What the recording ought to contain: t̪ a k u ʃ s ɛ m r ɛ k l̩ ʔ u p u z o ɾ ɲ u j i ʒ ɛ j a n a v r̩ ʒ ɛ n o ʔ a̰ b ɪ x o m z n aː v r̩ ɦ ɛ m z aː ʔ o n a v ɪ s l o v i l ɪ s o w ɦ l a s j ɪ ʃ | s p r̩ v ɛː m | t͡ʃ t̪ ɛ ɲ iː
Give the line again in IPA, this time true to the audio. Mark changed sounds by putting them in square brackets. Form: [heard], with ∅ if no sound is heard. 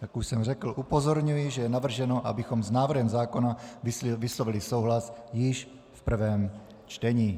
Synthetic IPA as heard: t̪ a k u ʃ s ɛ m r ɛ k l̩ ʔ u p [o] z o ɾ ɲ u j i ʒ ɛ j [ɛ] n a v r̩ ʒ ɛ n o ʔ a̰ b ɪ x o m z n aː v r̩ ɦ ɛ m z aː [k] o n a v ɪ s l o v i l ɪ s o w ɦ l a s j ɪ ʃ | [f] p r̩ v ɛː m | t͡ʃ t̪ ɛ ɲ iː